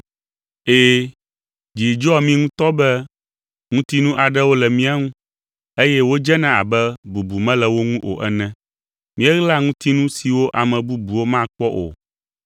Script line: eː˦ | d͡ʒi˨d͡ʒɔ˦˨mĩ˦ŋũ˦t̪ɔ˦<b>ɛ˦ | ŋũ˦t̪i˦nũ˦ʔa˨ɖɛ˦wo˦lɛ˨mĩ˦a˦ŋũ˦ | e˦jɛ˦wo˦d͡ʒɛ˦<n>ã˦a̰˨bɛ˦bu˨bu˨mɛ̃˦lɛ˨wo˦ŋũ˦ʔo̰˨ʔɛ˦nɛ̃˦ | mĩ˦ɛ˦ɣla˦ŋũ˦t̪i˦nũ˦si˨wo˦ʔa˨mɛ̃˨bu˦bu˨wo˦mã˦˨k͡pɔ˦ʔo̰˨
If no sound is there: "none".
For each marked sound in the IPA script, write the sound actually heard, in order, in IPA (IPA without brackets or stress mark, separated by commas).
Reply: b, n